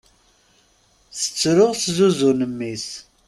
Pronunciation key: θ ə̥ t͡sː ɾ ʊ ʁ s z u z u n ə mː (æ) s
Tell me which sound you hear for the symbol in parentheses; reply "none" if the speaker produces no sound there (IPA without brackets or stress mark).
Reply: i